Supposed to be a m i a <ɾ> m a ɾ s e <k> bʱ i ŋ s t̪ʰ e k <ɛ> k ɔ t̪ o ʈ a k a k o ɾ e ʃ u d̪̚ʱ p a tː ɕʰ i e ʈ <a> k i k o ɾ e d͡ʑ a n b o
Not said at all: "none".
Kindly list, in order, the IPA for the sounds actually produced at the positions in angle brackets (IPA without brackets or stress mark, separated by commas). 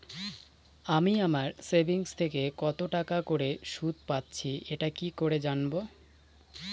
none, none, e, a